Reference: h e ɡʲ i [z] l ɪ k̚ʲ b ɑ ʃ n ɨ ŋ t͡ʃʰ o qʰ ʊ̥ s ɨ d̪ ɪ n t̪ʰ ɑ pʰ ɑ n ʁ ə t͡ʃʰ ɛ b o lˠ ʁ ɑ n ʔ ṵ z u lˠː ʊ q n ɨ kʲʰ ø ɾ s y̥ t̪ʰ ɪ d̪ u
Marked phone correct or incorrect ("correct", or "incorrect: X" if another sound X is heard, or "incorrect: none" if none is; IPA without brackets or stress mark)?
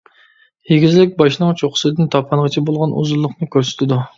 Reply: correct